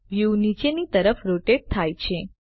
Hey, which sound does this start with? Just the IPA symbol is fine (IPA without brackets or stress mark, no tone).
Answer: ʋ